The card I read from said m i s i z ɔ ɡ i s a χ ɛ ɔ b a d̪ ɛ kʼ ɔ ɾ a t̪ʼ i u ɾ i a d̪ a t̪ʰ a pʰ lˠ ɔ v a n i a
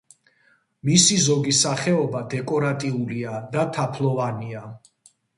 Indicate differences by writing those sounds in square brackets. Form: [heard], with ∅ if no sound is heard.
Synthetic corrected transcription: m i s i z ɔ ɡ i s a χ ɛ ɔ b a d̪ ɛ kʼ ɔ ɾ a t̪ʼ i u [l] i a d̪ a t̪ʰ a pʰ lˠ ɔ v a n i a

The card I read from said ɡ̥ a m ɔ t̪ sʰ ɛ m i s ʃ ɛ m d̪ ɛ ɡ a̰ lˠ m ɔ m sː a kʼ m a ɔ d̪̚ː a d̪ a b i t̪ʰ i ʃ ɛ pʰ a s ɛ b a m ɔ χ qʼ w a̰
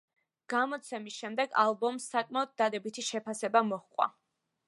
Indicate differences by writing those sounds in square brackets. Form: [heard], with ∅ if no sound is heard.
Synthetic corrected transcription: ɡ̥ a m ɔ t̪ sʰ ɛ m i s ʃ ɛ m d̪ ɛ ɡ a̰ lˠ [b] ɔ m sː a kʼ m a ɔ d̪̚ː a d̪ [ɛ] b i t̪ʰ i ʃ ɛ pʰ a s ɛ b a m ɔ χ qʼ w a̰

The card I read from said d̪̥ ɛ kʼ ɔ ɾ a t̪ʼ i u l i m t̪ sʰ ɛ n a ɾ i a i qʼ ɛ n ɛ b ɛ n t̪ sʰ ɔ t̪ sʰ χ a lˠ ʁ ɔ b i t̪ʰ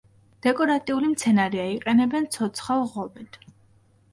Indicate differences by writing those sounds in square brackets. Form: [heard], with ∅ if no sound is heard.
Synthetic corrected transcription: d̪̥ ɛ kʼ ɔ ɾ a t̪ʼ i u l i m t̪ sʰ ɛ n a ɾ i a i qʼ ɛ n ɛ b ɛ n t̪ sʰ ɔ t̪ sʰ χ a lˠ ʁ ɔ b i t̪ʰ

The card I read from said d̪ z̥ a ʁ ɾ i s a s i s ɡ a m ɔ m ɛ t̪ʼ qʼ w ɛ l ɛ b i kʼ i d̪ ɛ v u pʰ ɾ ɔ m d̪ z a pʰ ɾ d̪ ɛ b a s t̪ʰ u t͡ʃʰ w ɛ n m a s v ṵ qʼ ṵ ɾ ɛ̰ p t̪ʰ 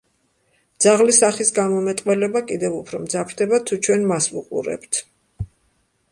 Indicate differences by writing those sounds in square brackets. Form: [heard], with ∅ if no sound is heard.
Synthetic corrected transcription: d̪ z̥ a ʁ [l] i s a [χ] i s ɡ a m ɔ m ɛ t̪ʼ qʼ w ɛ l ɛ b [a] kʼ i d̪ ɛ v u pʰ ɾ ɔ m d̪ z a pʰ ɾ d̪ ɛ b a [∅] t̪ʰ u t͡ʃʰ w ɛ n m a s v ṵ qʼ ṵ ɾ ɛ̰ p t̪ʰ

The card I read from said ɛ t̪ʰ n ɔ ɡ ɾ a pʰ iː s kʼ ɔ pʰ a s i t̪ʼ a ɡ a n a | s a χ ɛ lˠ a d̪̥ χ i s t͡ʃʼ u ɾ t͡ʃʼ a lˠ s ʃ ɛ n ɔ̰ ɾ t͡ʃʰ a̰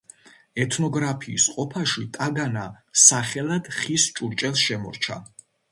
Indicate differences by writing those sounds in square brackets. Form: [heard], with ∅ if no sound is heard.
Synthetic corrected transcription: ɛ t̪ʰ n ɔ ɡ ɾ a pʰ iː s [qʼ] ɔ pʰ a [ʃ] i t̪ʼ a ɡ a n a | s a χ ɛ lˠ a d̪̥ χ i s t͡ʃʼ u ɾ t͡ʃʼ [ɛ] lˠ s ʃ ɛ [m] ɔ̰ ɾ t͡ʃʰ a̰

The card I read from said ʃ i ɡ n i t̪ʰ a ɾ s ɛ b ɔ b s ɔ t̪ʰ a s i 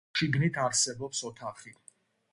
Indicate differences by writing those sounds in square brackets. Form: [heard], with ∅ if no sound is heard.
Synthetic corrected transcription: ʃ i ɡ n i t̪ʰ a ɾ s ɛ b ɔ [p] s ɔ t̪ʰ a [χ] i

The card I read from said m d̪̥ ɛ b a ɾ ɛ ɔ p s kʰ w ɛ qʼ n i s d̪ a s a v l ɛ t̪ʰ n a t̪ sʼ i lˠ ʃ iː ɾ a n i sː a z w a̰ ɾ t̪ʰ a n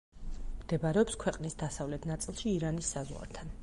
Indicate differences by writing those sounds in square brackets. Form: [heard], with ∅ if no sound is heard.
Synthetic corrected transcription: m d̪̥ ɛ b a ɾ ɛ ɔ p s kʰ w ɛ qʼ n i s d̪ a s a v l ɛ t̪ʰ n a t̪ sʼ i lˠ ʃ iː ɾ a n i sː a z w a̰ ɾ t̪ʰ a n

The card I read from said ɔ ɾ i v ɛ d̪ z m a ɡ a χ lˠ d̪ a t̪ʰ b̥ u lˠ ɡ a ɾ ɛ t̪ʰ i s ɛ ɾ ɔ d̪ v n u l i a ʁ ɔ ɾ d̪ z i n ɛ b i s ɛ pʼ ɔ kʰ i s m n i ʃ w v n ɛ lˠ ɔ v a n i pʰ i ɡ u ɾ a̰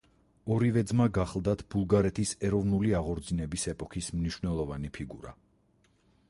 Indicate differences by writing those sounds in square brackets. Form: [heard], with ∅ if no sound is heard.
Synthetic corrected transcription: ɔ ɾ i v ɛ d̪ z m a ɡ a χ lˠ d̪ a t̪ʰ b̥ u lˠ ɡ a ɾ ɛ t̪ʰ i s ɛ ɾ ɔ [∅] v n u l i a ʁ ɔ ɾ d̪ z i n ɛ b i s ɛ pʼ ɔ kʰ i s m n i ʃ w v n ɛ lˠ ɔ v a n i pʰ i ɡ u ɾ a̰

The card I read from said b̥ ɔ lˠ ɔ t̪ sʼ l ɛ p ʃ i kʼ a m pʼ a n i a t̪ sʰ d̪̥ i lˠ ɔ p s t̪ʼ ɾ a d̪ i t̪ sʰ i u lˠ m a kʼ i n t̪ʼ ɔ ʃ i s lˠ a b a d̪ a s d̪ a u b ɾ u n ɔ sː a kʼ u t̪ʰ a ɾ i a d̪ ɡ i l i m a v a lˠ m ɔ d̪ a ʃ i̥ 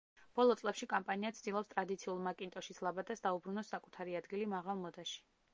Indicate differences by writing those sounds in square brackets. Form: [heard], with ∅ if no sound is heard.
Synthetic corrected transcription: b̥ ɔ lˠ ɔ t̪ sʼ l ɛ p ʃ i kʼ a m pʼ a n i a t̪ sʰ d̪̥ i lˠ ɔ p s t̪ʼ ɾ a d̪ i t̪ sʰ i u lˠ m a kʼ i n t̪ʼ ɔ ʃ i s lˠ a b a d̪ a s d̪ a u b ɾ u n ɔ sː a kʼ u t̪ʰ a ɾ i a d̪ ɡ i l i m a [ʁ] a lˠ m ɔ d̪ a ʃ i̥

